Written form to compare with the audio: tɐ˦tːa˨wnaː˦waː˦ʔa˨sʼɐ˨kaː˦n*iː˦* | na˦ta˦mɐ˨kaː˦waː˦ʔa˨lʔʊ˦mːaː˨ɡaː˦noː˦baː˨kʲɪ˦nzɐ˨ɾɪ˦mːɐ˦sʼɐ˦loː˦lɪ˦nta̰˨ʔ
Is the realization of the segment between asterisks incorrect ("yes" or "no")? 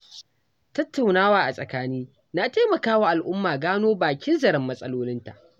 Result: no